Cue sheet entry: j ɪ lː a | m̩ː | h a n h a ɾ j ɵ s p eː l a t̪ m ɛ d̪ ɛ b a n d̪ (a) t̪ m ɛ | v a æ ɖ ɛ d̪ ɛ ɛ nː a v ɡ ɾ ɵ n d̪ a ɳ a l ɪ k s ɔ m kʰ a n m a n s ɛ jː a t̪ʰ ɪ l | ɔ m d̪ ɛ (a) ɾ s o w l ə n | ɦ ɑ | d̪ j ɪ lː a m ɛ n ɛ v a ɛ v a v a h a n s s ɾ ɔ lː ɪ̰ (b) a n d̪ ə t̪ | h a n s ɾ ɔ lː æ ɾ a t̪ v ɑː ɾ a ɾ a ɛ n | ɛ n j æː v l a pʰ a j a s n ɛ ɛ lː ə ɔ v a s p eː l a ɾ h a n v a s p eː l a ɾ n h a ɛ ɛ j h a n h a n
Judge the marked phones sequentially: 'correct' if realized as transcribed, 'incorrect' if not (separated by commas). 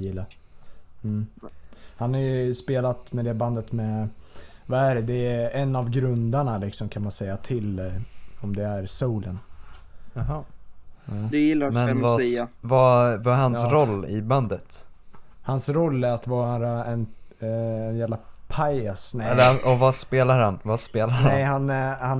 incorrect, incorrect, correct